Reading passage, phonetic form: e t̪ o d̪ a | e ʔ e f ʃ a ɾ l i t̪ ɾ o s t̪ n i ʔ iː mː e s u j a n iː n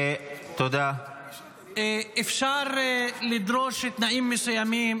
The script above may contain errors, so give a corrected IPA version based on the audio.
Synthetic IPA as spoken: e t̪ o d̪ a | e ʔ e f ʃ a ɾ l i d̪ ɾ o ʃ t̪ n a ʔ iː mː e s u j a m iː m